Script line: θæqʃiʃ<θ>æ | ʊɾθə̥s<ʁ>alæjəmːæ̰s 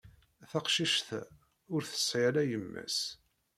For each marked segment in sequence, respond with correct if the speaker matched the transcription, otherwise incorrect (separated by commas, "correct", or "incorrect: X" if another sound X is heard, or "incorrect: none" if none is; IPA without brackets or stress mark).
correct, incorrect: ʕ